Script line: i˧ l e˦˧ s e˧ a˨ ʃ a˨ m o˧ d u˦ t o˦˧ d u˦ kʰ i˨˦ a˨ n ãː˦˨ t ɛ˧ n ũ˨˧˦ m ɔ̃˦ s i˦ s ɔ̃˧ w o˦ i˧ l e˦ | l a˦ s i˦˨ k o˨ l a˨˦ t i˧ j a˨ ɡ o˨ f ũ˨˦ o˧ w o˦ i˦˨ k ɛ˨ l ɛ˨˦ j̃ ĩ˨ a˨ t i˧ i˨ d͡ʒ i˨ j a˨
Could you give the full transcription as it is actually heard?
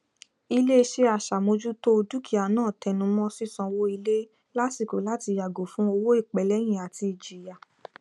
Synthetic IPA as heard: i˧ l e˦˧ ʃ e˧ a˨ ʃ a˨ m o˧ d͡ʒ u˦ t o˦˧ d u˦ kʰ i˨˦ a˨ n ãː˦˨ t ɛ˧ n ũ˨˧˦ m ɔ̃˦ s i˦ s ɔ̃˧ w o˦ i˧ l e˦ | l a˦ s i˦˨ k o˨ l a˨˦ t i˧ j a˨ ɡ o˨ f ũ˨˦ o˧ w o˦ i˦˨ k͡p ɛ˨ l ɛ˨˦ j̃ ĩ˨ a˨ t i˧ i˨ d͡ʒ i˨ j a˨